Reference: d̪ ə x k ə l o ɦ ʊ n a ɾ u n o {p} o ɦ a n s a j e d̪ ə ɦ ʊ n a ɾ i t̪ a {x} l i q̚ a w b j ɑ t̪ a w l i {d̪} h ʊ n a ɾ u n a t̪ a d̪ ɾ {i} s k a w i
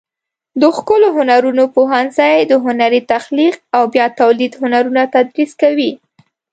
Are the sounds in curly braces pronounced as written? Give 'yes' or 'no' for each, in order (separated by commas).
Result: yes, yes, yes, yes